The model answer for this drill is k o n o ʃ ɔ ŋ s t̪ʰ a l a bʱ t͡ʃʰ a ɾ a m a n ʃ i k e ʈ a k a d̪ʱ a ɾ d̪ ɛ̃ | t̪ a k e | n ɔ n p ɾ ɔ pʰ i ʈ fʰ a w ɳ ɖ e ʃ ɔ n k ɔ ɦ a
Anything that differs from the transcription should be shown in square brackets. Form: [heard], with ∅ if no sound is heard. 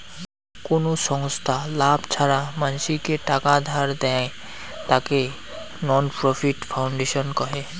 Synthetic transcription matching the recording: k o n o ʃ ɔ ŋ s t̪ʰ a l a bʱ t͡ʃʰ a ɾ a m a n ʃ i k e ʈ a k a d̪ʱ a ɾ d̪ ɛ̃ | t̪ a k e | n ɔ n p ɾ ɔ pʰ i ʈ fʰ a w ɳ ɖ e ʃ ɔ n k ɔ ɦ [e]